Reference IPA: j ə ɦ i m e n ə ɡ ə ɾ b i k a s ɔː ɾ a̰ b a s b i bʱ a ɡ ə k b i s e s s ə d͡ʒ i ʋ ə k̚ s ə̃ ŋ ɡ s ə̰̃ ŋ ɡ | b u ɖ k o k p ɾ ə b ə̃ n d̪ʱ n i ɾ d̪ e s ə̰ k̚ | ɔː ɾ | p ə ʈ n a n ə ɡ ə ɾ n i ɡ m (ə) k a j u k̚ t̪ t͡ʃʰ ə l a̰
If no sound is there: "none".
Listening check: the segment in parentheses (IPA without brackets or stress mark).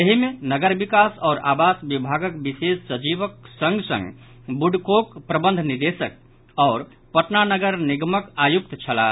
ə